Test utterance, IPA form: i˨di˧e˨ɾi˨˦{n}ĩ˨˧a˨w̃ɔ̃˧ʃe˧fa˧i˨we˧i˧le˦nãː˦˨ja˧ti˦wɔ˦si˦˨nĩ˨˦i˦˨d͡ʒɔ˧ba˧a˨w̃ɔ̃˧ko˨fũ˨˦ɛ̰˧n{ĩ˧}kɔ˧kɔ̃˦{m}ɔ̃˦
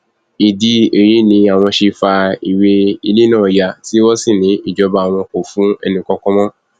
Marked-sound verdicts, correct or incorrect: correct, correct, correct

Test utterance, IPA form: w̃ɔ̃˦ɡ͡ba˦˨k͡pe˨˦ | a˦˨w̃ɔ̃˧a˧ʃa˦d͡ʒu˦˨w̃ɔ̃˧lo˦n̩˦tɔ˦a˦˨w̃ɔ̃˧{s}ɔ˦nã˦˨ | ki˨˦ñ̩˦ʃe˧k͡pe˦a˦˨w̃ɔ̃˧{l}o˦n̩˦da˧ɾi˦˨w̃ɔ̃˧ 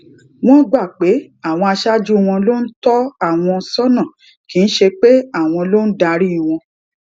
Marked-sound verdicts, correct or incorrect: correct, correct

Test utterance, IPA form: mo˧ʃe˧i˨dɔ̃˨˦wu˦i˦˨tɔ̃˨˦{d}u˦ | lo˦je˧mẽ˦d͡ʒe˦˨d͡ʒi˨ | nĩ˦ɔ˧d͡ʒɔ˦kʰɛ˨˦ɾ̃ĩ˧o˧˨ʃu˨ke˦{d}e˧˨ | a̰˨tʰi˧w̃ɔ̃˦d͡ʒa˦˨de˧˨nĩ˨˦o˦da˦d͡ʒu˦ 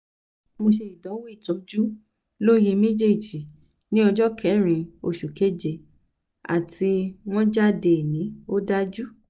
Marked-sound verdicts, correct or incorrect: incorrect, incorrect

